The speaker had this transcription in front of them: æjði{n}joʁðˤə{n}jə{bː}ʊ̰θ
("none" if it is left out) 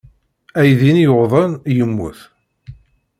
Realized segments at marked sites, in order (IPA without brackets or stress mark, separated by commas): n, n, mː